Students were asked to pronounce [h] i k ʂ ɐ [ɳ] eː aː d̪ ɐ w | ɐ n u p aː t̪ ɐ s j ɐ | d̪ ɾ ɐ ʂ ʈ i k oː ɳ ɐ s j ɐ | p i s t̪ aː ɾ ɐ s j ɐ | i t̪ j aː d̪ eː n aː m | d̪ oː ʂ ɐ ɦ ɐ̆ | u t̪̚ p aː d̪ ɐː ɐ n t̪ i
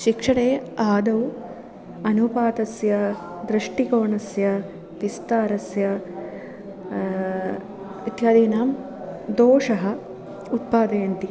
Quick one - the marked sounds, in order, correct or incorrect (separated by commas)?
incorrect, correct